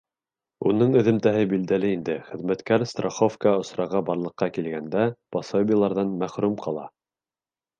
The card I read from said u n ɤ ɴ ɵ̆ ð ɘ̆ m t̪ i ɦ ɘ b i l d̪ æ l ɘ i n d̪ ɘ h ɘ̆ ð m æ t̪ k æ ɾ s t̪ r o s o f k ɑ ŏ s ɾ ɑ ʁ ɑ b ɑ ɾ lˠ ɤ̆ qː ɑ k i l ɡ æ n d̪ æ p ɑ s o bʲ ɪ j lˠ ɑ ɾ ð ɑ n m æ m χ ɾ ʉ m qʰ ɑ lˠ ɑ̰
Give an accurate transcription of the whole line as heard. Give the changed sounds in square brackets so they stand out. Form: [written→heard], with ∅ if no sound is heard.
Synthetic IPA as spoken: u n ɤ ɴ ɵ̆ ð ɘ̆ m t̪ [i→æ] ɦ ɘ b i l d̪ æ l ɘ i n d̪ ɘ [h→χ] ɘ̆ ð m æ t̪ k æ ɾ s t̪ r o [s→χ] o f k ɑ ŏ s ɾ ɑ ʁ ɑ b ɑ ɾ lˠ ɤ̆ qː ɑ k i l ɡ æ n d̪ æ p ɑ s o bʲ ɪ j lˠ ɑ ɾ ð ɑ n m æ [m→∅] χ ɾ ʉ m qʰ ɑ lˠ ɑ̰